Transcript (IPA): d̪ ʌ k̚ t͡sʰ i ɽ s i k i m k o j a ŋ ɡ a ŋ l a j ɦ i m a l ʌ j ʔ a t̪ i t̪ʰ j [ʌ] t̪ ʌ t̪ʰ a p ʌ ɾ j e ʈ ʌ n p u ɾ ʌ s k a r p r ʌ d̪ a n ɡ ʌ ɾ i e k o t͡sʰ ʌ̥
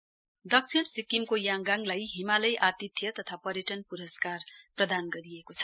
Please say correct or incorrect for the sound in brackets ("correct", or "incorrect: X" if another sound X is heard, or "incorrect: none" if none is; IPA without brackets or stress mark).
correct